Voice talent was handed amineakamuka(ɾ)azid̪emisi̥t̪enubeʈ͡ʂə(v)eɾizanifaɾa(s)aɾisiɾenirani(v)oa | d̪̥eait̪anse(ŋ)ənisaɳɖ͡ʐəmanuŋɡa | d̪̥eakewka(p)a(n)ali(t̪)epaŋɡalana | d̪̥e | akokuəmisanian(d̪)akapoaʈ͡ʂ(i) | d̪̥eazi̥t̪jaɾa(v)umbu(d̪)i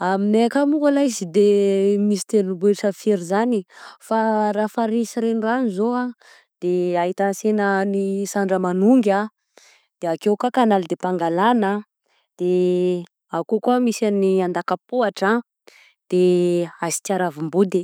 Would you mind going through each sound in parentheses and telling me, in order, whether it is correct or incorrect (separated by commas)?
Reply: incorrect, incorrect, incorrect, incorrect, incorrect, incorrect, correct, incorrect, correct, incorrect, correct, correct